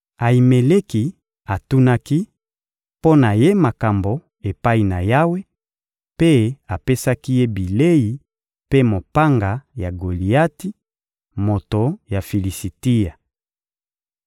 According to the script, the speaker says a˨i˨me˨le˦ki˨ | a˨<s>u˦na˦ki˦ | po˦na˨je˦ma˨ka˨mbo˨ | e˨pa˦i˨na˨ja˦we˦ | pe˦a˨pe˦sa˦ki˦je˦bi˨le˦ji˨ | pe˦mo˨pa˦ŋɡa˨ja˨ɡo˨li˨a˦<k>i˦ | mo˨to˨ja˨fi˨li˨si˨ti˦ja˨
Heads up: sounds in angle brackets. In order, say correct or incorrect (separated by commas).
incorrect, incorrect